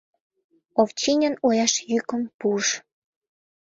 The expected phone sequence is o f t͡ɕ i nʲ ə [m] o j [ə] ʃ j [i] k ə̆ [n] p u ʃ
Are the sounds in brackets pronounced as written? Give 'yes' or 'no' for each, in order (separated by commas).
no, no, no, no